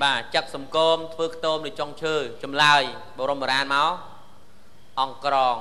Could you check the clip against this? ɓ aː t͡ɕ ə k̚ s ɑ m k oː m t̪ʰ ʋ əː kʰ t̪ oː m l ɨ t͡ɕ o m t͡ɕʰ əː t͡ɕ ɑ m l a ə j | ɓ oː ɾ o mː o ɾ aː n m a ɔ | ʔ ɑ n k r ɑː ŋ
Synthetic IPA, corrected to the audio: ɓ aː t͡ɕ ə k̚ s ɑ m k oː m t̪ʰ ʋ əː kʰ t̪ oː m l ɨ t͡ɕ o ŋ t͡ɕʰ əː t͡ɕ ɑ m l a ə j | ɓ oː ɾ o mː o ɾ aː n m a ɔ | ʔ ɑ ŋ k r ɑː ŋ